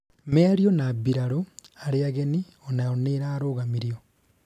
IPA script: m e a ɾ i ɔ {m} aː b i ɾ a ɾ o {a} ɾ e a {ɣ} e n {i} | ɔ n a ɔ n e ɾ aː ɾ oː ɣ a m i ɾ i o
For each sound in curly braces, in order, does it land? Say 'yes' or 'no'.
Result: no, yes, yes, yes

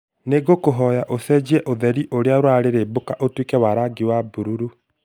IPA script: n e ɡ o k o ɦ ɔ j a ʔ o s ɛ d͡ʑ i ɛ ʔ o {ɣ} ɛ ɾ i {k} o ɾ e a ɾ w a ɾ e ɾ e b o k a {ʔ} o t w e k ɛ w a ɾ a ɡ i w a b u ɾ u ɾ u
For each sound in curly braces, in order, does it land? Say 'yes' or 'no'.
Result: no, no, yes

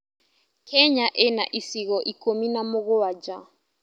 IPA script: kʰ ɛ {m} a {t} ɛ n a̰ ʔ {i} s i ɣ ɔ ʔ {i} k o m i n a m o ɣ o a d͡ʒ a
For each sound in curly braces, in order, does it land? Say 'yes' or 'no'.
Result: no, no, yes, yes

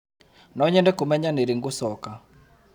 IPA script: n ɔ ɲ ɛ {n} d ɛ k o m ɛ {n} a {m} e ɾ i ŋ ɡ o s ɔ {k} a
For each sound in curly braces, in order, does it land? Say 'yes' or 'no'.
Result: yes, no, no, yes

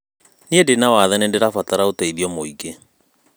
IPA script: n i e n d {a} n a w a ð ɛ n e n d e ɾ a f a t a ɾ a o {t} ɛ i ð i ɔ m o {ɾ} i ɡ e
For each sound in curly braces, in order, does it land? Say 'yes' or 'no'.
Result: no, yes, no

